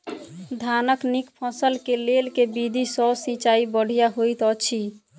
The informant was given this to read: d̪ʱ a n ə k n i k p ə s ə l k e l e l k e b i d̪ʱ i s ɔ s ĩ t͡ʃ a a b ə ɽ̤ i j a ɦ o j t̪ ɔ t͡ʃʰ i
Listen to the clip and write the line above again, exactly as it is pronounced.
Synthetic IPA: d̪ʱ a n ə k n i k pʰ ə s ə l k e l e l k e b i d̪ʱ i s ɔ s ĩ t͡ʃ a i b ə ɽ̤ i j a ɦ o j t̪ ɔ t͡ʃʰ i